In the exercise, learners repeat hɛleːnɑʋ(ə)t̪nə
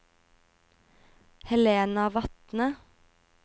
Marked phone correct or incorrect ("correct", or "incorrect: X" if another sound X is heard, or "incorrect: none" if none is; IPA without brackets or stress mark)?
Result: incorrect: ɑ